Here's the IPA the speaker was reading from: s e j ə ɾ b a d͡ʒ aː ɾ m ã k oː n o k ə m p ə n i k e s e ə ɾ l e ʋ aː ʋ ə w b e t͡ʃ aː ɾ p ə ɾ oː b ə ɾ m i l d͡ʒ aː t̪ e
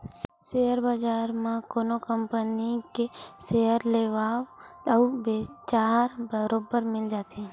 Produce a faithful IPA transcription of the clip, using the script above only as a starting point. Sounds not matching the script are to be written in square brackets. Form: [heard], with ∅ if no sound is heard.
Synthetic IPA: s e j ə ɾ b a d͡ʒ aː ɾ m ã k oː n o k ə m p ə n i k e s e ə ɾ l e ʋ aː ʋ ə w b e t͡ʃ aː ɾ [b] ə ɾ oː b ə ɾ m [ɪ] l d͡ʒ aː t̪ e